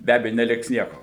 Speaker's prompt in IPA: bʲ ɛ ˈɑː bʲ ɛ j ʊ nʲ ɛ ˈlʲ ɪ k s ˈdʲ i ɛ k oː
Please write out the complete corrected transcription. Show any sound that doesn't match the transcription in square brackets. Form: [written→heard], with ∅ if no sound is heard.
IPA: bʲ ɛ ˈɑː bʲ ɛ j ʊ nʲ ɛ ˈlʲ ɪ k s [ˈdʲ→ˈnʲ] i ɛ k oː